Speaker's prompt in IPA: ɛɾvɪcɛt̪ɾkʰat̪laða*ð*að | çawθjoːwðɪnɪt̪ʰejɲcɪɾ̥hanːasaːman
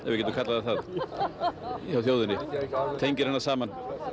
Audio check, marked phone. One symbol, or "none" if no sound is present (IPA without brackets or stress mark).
θ